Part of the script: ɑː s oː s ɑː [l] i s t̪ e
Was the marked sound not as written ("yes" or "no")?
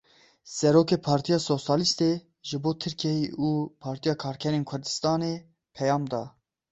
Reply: no